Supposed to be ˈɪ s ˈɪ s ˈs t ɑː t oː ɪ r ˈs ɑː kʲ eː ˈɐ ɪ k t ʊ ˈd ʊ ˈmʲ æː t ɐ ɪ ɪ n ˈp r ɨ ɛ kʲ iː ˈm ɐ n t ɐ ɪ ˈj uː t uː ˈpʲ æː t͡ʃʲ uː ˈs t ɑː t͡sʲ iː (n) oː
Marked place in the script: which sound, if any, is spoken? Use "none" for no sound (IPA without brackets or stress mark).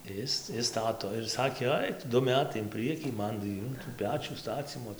m